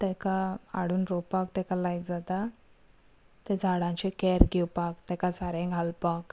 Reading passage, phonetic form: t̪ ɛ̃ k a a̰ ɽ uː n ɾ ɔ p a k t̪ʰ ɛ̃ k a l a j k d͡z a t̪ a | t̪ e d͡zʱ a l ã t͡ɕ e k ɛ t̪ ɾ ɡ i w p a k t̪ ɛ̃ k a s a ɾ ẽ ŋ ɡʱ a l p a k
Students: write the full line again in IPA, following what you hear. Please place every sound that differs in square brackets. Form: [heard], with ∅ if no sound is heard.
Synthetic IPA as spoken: t̪ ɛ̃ k a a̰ ɽ uː n ɾ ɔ p a k [t̪] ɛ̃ k a l a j k d͡z a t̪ a | t̪ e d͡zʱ a [ɽ] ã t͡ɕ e k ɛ [∅] ɾ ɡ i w p a k t̪ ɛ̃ k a s a ɾ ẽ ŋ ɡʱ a l p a k